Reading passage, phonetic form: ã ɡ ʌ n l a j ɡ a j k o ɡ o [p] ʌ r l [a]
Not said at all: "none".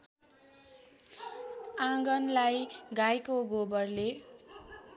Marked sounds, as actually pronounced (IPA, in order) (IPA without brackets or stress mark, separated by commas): b, e